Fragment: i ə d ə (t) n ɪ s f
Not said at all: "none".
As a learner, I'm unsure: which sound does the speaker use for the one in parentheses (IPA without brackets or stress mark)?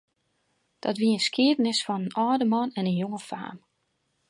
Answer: none